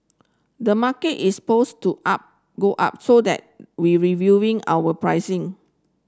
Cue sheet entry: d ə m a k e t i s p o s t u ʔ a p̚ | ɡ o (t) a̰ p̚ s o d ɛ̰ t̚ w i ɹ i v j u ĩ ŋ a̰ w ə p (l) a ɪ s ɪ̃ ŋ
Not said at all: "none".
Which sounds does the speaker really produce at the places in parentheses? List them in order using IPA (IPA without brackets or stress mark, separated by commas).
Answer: ʔ, ɹ